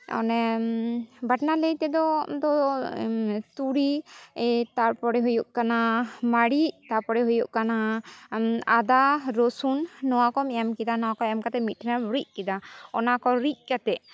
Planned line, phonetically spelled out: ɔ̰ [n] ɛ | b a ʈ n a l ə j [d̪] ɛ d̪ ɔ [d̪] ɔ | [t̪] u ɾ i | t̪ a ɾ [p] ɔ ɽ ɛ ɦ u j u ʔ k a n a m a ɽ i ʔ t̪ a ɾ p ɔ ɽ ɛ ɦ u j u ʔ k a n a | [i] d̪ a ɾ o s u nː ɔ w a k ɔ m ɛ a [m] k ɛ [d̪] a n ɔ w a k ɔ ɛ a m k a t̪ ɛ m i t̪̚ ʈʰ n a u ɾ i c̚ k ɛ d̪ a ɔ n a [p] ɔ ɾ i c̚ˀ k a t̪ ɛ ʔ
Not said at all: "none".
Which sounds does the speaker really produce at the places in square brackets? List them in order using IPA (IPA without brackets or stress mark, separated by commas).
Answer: n, t̪, d̪, t̪, p, a, m, d̪, k